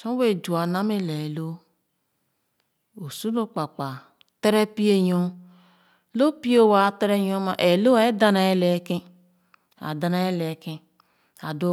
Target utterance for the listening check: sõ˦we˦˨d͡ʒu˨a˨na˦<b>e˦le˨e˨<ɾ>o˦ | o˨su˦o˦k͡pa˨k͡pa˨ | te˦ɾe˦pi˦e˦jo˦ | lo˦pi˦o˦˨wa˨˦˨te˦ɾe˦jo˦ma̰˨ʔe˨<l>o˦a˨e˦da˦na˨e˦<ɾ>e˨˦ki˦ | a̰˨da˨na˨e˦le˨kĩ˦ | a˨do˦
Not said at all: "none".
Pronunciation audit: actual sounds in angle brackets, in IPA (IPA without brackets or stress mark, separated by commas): m, l, l, l